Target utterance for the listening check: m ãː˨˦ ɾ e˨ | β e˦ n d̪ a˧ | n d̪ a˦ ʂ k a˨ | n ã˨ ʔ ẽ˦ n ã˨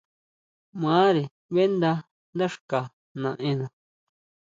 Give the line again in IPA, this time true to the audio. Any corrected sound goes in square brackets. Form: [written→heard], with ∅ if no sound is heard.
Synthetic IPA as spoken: m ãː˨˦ ɾ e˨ | β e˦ n d̪ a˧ | n d̪ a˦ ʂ k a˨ | n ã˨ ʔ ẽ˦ n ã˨